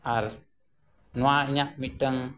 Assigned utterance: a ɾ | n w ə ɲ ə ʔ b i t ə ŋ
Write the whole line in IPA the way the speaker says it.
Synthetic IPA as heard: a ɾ | n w a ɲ a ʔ m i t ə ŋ